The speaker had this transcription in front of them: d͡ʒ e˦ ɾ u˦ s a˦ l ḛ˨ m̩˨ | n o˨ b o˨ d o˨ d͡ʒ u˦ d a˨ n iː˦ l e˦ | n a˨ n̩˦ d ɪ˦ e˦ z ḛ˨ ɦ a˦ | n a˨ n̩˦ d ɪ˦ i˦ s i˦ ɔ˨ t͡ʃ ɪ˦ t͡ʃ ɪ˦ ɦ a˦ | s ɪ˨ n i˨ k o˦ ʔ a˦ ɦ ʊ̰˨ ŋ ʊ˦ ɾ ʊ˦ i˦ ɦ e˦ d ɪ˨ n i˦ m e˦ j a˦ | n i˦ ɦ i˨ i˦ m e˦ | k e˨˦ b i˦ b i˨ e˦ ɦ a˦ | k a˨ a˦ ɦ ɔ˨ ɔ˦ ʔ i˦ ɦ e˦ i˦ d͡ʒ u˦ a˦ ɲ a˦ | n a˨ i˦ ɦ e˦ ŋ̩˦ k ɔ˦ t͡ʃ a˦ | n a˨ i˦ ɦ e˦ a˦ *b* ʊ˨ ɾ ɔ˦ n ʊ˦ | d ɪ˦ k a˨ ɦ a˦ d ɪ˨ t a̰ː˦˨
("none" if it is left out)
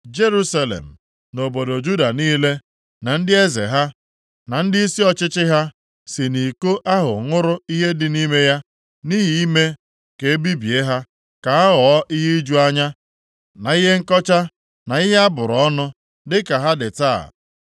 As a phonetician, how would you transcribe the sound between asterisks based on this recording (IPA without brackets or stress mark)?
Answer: b